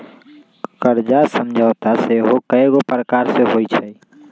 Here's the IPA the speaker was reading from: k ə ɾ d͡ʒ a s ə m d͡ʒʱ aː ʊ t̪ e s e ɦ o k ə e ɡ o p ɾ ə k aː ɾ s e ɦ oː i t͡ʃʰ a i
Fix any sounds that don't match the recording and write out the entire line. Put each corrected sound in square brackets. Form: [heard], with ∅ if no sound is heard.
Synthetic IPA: k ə ɾ d͡ʒ a s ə m d͡ʒʱ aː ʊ t̪ [a] s e ɦ o k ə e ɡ o p ɾ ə k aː ɾ s e ɦ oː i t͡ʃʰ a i